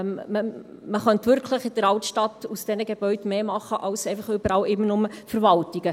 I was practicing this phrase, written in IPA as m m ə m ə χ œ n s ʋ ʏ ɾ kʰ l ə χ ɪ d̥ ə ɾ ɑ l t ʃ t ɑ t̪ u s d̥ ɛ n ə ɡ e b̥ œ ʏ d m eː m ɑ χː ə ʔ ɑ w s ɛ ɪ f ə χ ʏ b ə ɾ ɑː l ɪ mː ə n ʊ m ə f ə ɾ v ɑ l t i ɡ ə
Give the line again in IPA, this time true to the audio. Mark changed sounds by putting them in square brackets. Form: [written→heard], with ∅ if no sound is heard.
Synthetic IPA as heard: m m ə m ə χ œ n [s→t] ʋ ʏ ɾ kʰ l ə χ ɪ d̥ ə ɾ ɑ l t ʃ t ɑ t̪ u s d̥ ɛ n ə ɡ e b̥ œ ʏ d m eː m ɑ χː ə ʔ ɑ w s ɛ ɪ f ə χ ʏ b ə ɾ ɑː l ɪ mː ə n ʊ m ə f ə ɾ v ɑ l t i ɡ ə